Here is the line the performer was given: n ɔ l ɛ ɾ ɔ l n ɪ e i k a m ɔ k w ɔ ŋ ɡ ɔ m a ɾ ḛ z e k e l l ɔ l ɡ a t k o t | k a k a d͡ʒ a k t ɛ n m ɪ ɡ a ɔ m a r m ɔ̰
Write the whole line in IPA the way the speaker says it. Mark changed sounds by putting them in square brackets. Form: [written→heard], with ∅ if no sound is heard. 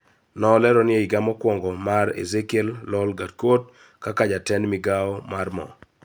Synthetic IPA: n ɔ l ɛ ɾ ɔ [l→∅] n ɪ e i [k→ɡ] a m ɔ k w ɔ ŋ ɡ ɔ m a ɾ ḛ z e k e l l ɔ l ɡ a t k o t | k a k a d͡ʒ a [k→∅] t ɛ n m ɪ ɡ a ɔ m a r m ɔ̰